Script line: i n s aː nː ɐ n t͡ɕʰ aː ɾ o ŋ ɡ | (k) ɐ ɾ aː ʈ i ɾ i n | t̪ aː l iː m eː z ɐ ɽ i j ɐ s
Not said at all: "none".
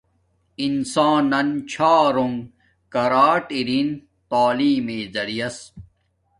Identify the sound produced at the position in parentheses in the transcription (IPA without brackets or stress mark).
k